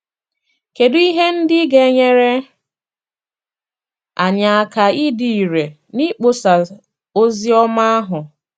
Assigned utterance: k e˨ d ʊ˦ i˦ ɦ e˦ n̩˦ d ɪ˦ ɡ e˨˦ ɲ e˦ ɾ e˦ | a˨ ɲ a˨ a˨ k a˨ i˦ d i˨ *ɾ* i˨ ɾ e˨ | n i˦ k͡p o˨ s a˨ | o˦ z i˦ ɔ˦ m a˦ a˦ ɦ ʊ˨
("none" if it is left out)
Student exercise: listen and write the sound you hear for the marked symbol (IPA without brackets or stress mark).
none